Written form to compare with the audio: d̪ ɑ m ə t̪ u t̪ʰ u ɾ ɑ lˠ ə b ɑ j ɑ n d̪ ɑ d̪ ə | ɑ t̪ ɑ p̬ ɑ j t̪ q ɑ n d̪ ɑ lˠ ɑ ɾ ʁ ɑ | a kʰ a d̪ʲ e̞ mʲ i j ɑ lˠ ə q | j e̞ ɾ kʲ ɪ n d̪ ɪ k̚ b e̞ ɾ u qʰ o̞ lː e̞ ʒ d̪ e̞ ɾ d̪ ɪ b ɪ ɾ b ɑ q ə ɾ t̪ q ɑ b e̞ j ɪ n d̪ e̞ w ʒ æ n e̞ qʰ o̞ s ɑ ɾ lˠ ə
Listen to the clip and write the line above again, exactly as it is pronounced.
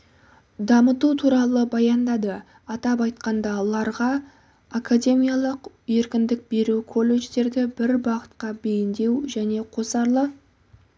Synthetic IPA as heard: d̪ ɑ m ə t̪ u t̪ʰ u ɾ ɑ lˠ ə b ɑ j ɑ n d̪ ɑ d̪ ə | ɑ t̪ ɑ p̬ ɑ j t̪ q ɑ n d̪ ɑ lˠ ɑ ɾ ʁ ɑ | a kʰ a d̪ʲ e̞ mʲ i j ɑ lˠ ə q | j e̞ ɾ kʲ ɪ n d̪ ɪ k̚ b e̞ ɾ u kʰ o̞ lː e̞ ʒ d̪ e̞ ɾ d̪ ɪ b ɪ ɾ b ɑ q ə t̪ q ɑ b e̞ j ɪ n d̪ e̞ w ʒ æ n e̞ qʰ o̞ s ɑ ɾ lˠ ə